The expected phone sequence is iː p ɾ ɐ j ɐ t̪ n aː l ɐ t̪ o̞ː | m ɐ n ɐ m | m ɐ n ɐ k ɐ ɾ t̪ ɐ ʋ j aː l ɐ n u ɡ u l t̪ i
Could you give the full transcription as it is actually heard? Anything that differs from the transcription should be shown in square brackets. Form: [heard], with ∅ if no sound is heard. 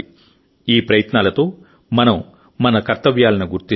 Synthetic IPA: iː p ɾ ɐ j ɐ t̪ n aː l ɐ t̪ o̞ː | m ɐ n ɐ m | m ɐ n ɐ k ɐ ɾ t̪ ɐ ʋ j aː l ɐ n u ɡ u [ɾ] t̪ i